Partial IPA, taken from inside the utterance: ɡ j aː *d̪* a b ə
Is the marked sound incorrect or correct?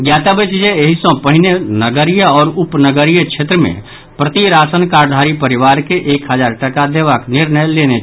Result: incorrect